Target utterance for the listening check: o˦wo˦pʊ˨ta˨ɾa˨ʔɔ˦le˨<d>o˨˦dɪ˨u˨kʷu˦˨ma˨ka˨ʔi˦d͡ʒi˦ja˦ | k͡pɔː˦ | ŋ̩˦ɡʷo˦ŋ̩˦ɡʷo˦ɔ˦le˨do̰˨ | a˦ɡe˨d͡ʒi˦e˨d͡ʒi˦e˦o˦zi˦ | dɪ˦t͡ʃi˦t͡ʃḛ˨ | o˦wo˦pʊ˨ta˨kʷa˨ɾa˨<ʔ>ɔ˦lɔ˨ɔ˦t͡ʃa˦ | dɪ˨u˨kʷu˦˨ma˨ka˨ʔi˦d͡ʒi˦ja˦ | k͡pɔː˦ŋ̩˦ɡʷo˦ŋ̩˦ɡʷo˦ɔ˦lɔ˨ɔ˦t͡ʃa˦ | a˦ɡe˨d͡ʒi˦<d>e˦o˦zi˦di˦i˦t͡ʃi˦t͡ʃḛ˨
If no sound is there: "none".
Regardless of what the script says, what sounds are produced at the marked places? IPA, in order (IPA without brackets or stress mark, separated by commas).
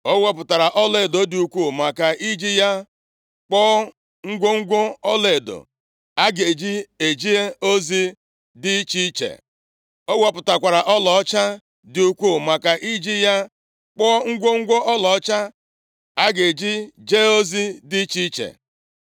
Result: d, ʔ, d͡ʒ